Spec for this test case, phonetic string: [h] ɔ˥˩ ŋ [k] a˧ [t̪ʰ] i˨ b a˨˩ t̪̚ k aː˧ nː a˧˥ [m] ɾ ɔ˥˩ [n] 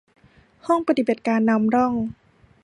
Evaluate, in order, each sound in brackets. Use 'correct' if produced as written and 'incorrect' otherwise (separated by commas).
correct, incorrect, incorrect, correct, incorrect